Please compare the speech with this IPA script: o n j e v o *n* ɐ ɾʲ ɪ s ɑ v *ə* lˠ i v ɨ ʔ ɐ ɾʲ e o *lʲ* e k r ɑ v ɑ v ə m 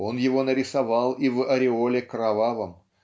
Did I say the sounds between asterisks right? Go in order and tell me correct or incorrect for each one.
correct, incorrect: ɑ, correct

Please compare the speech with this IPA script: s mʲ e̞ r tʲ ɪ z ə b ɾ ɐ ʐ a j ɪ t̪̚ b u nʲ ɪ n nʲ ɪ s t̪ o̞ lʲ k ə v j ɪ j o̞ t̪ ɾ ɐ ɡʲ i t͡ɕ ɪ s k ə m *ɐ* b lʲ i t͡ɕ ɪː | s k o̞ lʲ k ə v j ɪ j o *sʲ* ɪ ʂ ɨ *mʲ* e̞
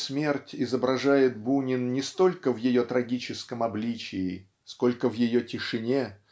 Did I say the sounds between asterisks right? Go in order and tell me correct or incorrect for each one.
correct, incorrect: tʲ, incorrect: nʲ

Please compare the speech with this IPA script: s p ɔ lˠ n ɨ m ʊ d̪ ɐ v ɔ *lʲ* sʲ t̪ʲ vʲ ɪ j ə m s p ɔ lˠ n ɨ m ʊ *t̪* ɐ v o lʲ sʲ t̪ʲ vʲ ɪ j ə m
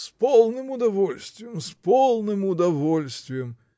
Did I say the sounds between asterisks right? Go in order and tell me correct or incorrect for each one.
correct, incorrect: d̪

